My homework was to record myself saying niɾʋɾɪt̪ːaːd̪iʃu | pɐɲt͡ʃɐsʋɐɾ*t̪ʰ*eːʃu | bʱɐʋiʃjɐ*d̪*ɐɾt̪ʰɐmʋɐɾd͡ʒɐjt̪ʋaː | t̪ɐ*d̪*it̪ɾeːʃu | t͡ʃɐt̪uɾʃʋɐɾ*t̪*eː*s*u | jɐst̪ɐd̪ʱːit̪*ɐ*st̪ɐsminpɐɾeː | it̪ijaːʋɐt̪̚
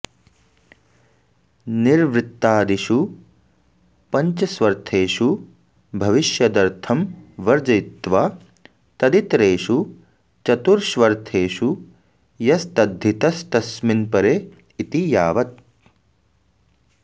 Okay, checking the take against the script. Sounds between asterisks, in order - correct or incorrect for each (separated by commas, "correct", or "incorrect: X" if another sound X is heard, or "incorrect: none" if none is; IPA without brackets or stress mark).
correct, correct, correct, incorrect: t̪ʰ, incorrect: ʃ, correct